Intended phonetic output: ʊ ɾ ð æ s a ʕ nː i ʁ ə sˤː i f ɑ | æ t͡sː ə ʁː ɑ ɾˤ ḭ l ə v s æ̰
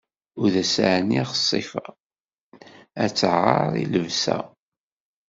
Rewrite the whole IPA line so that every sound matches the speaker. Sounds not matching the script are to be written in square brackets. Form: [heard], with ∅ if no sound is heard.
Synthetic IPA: ʊ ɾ ð æ s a ʕ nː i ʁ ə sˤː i f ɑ | æ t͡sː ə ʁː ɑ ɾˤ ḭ l ə v s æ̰